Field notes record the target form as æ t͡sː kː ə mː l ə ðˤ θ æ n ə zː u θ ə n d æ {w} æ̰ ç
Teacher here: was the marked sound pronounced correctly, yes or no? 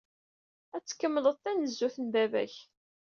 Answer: no